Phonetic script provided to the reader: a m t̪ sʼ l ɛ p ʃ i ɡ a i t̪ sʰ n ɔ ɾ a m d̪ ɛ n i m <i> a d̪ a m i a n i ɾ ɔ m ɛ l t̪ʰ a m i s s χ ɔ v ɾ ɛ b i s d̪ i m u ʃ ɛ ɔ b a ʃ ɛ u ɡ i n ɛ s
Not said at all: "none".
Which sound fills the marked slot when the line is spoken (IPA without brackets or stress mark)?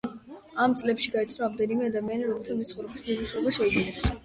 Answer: ɛ